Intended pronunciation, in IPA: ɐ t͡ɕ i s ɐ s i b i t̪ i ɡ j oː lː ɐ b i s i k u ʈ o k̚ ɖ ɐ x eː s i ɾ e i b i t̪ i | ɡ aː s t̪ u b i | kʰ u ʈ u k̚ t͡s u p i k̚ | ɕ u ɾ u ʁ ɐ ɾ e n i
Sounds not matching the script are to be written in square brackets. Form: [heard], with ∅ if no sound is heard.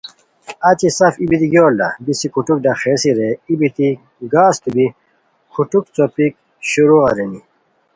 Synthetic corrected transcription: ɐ t͡ɕ i s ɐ [f] i b i t̪ i ɡ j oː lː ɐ b i s i k u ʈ [u] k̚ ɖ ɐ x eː s i ɾ e i b i t̪ i | ɡ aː s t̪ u b i | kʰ u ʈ u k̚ t͡s [o] p i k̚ | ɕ u ɾ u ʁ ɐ ɾ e n i